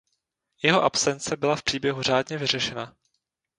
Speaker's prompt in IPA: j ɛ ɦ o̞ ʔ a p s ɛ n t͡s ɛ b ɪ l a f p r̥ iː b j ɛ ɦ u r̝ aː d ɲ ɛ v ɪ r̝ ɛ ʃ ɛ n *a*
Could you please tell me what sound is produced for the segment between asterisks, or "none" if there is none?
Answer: a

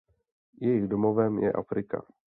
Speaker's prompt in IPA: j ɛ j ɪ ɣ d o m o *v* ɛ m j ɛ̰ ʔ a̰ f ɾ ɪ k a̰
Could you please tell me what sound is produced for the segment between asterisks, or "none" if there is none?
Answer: v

